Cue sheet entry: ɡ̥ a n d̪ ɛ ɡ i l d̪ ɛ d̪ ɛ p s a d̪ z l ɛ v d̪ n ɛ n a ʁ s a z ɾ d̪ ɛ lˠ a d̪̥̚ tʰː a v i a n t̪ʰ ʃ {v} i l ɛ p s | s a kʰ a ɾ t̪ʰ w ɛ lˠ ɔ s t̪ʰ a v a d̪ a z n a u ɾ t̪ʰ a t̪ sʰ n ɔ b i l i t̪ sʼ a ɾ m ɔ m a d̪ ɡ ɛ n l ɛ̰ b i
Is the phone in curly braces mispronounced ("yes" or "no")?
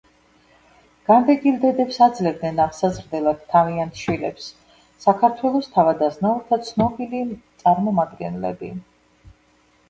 yes